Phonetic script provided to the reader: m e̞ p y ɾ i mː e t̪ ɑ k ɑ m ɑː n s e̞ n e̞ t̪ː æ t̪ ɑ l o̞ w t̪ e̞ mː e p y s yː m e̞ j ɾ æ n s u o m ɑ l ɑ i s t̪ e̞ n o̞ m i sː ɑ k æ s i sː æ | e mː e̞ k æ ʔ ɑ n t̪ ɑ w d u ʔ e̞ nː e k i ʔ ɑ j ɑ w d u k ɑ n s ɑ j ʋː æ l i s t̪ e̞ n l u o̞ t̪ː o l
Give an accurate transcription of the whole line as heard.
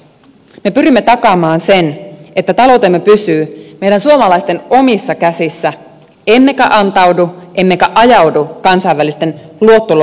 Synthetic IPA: m e̞ p y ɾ i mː e t̪ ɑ k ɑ m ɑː n s e̞ n e̞ t̪ː æ t̪ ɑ l o̞ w t̪ e̞ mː e p y s yː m e̞ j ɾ æ n s u o m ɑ l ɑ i s t̪ e̞ n o̞ m i sː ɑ k æ s i sː æ | e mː e̞ k æ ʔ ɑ n t̪ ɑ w d u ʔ e̞ mː e k æ ʔ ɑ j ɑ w d u k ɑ n s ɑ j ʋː æ l i s t̪ e̞ n l u o̞ t̪ː o l